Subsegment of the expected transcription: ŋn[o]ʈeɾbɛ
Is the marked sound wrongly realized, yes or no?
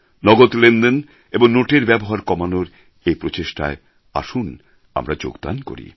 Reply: no